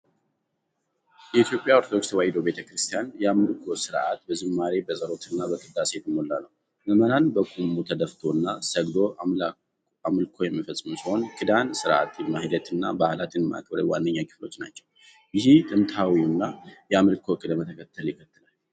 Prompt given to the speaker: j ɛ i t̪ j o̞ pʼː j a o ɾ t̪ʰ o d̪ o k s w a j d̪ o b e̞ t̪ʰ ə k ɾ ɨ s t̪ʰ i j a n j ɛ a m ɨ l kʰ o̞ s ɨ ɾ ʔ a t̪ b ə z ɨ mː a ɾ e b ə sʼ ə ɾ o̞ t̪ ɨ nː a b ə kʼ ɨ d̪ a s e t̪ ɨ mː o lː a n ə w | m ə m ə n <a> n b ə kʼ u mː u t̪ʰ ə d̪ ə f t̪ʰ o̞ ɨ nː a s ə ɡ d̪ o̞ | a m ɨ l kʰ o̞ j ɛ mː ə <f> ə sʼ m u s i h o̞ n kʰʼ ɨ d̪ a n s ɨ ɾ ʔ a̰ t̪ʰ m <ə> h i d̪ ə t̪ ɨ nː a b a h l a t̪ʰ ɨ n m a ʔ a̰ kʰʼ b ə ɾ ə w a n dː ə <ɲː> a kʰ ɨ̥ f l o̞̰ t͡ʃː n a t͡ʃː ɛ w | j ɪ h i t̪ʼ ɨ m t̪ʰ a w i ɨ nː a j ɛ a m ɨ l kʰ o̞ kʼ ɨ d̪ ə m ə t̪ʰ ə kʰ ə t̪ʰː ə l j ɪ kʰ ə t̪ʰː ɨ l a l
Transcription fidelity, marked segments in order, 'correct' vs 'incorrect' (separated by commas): correct, correct, incorrect, correct